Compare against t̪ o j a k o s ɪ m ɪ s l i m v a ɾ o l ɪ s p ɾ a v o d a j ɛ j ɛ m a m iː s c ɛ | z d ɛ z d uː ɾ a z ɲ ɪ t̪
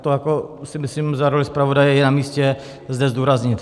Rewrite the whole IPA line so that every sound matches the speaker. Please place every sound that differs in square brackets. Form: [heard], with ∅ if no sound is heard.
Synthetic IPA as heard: t̪ o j a k o s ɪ m ɪ s l i m [z] a ɾ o l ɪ s p ɾ a v o d a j ɛ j ɛ [n] a m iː s c ɛ | z d ɛ z d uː ɾ a z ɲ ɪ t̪